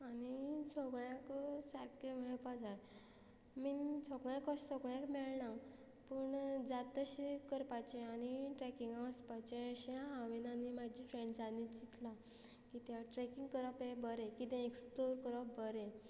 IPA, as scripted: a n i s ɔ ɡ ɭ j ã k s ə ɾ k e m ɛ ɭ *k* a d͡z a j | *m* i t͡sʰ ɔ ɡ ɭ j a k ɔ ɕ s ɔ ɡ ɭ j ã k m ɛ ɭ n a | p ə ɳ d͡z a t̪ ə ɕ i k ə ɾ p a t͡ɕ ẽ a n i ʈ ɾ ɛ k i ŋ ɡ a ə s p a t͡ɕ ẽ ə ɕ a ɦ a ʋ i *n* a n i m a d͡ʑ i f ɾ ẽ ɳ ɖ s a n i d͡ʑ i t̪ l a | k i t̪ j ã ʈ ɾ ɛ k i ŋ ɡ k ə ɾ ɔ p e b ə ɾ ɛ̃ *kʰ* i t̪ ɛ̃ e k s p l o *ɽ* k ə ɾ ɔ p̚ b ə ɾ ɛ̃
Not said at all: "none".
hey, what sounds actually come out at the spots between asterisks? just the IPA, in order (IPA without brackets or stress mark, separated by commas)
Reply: p, m, n, k, ɾ